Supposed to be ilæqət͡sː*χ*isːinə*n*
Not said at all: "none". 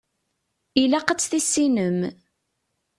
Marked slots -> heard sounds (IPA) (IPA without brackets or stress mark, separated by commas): θ, m